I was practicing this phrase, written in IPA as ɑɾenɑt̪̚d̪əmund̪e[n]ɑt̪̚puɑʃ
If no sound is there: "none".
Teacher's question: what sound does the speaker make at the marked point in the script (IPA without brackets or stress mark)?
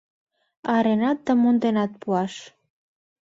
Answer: n